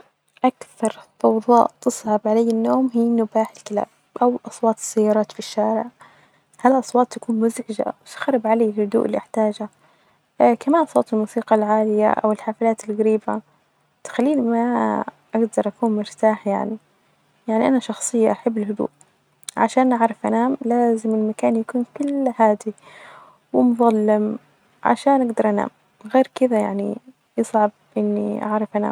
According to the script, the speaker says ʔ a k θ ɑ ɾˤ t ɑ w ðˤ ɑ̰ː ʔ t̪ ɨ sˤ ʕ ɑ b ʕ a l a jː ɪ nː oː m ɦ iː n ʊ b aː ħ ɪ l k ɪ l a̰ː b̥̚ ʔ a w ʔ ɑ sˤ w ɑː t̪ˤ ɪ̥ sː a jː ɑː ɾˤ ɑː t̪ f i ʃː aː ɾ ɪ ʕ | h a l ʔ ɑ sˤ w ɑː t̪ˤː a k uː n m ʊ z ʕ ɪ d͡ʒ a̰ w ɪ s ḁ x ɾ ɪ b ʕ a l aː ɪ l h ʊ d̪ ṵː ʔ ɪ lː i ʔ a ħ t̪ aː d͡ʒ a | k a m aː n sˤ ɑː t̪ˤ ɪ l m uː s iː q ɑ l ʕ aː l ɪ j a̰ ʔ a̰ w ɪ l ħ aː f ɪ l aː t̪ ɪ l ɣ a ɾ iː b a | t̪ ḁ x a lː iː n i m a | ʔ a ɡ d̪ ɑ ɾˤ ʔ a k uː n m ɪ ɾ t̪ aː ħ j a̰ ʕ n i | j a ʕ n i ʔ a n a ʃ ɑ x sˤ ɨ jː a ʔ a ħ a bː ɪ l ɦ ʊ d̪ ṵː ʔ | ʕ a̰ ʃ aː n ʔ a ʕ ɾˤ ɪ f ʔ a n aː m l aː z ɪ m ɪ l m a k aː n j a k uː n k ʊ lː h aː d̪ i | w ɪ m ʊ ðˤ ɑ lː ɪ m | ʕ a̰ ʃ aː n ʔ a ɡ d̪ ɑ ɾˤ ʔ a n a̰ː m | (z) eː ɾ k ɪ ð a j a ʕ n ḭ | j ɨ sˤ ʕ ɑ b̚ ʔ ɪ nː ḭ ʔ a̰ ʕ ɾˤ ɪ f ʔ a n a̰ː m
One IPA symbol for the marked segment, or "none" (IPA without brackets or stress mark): ɣ